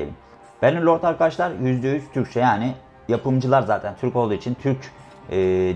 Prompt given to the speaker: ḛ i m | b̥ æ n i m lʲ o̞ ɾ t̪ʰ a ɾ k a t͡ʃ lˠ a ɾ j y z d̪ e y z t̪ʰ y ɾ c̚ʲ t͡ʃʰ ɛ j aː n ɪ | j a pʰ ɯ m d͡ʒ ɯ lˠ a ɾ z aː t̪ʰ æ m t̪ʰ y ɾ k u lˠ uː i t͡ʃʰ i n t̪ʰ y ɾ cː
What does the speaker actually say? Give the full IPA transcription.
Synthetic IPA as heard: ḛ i m | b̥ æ n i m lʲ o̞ ɾ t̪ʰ a ɾ k a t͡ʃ lˠ a ɾ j y z d̪ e y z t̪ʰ y ɾ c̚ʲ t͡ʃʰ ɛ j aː n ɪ | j a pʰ ɯ m d͡ʒ ɯ lˠ a ɾ z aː t̪ʰ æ n t̪ʰ y ɾ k o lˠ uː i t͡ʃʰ i n t̪ʰ y ɾ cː